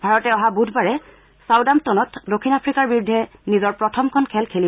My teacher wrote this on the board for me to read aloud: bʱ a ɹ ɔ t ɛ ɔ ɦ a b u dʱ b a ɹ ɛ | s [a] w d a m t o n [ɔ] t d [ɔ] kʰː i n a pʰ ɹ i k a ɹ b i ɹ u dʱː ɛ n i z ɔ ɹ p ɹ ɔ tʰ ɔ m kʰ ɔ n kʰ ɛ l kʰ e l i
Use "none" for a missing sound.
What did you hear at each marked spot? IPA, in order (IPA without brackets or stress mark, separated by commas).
a, ɔ, o